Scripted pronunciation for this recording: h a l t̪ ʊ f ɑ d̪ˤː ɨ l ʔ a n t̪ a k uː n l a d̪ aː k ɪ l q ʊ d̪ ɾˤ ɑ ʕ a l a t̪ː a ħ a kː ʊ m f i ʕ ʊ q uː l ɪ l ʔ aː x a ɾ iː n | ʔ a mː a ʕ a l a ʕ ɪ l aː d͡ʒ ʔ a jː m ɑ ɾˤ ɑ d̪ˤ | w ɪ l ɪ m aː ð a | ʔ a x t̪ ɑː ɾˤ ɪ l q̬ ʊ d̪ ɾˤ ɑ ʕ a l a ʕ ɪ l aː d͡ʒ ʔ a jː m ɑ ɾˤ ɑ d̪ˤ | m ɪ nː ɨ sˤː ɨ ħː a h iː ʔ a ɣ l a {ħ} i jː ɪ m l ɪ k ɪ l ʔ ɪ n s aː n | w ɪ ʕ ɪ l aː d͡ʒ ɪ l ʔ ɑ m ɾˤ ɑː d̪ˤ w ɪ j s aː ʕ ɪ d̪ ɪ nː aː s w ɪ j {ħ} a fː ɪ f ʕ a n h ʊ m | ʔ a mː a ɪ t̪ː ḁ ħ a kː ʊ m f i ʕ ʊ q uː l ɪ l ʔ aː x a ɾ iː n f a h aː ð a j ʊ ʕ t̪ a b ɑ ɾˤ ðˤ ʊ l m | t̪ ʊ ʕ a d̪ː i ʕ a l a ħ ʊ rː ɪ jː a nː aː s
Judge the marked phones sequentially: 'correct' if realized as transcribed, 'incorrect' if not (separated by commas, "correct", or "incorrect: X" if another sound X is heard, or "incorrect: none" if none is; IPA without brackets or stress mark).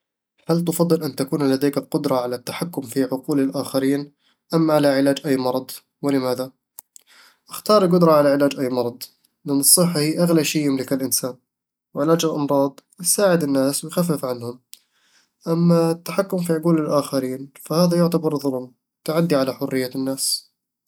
incorrect: ʃ, incorrect: x